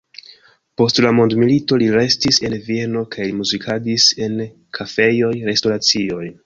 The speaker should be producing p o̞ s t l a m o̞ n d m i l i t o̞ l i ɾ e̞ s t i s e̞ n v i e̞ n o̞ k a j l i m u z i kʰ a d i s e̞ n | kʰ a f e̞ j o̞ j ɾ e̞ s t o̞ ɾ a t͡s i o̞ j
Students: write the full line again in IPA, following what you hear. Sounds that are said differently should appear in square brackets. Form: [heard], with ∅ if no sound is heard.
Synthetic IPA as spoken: p o̞ s t l a m o̞ n d m i l i t o̞ l i ɾ e̞ s t i s e̞ n v i e̞ n o̞ k a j l i m u z i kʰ a d i s e̞ n | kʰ a f e̞ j o̞ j ɾ e̞ s t o̞ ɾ a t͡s i o̞ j